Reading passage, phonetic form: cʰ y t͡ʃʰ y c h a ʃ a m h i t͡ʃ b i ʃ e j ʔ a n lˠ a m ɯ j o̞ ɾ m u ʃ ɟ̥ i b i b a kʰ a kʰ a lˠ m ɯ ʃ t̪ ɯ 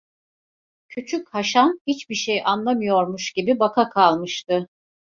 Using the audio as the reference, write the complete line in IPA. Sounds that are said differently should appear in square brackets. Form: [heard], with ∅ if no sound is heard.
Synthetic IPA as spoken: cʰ y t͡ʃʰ y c h a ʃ a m h i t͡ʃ b i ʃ e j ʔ a n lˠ a m ɯ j o̞ ɾ m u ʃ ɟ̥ i b i b a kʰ a kʰ a lˠ m ɯ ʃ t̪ ɯ